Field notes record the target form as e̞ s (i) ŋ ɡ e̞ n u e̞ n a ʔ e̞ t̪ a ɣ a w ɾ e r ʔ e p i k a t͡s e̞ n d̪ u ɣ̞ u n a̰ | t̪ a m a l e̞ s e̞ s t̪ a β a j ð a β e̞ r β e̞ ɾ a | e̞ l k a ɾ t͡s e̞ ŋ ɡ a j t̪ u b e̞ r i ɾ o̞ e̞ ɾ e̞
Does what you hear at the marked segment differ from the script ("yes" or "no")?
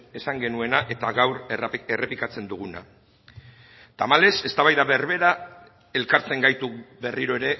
yes